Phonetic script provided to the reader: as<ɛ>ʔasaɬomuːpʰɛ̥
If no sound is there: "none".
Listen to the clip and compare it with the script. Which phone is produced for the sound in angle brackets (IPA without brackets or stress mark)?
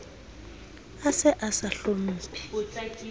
ɛ